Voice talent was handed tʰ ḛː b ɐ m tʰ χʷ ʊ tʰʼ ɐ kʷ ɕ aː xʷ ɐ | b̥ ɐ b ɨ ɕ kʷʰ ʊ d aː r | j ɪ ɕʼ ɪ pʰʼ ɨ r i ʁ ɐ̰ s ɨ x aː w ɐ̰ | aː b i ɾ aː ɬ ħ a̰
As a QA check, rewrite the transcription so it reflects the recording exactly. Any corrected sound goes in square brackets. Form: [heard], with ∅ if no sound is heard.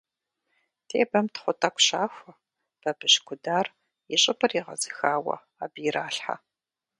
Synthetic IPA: tʰ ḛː b ɐ m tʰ χʷ ʊ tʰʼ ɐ kʷ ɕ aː xʷ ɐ | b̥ ɐ b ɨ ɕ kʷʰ ʊ d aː r | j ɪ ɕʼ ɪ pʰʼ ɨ r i ʁ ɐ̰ [z] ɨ x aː w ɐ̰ | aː b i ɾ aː ɬ ħ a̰